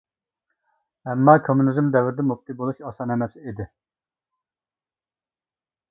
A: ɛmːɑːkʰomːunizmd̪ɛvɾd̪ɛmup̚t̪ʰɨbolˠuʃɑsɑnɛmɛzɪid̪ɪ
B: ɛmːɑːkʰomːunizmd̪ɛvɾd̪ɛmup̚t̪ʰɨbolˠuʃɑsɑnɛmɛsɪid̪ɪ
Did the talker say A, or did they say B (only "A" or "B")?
B